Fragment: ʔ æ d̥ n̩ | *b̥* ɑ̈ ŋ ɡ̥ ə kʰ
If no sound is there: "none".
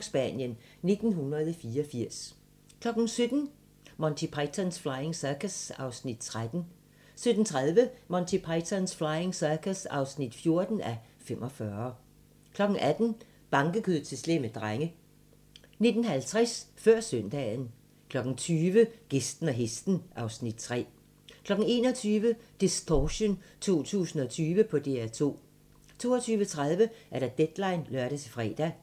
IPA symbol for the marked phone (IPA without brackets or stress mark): b̥